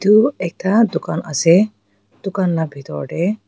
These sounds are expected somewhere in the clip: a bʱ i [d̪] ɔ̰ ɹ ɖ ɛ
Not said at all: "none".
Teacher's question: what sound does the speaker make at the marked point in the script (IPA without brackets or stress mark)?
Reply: t̪